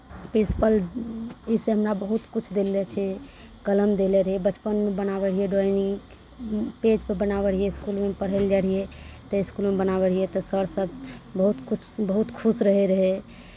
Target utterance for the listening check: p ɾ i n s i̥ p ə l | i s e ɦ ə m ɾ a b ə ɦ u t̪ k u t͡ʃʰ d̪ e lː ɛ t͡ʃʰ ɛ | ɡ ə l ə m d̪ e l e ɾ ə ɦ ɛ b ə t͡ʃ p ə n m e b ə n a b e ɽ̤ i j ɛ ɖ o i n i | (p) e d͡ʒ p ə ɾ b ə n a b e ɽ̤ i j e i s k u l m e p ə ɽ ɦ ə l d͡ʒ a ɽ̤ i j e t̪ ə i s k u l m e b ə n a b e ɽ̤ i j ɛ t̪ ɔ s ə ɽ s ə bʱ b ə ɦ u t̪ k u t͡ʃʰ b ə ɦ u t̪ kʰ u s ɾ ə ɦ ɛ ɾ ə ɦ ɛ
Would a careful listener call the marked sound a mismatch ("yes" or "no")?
no